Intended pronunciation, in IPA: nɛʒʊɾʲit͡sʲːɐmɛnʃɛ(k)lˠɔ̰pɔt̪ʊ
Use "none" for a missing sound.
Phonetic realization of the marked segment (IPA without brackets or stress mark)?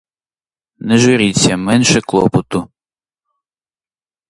k